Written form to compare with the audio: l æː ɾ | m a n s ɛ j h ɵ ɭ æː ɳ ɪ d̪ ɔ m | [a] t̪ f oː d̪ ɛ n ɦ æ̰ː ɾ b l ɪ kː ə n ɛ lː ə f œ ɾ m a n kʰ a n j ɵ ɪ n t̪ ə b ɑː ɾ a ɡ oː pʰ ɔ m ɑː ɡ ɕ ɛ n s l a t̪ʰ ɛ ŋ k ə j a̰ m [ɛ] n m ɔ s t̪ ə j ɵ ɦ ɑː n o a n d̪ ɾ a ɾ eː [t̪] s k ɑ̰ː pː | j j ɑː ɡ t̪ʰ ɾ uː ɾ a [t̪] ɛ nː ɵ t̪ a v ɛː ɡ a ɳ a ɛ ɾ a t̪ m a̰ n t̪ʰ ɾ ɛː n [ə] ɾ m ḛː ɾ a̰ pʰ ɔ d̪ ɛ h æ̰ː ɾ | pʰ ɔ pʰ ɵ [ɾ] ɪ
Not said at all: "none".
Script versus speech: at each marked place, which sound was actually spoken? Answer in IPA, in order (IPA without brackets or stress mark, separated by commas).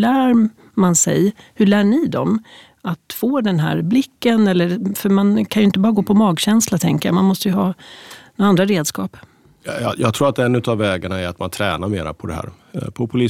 a, a, d̪, t̪, a, l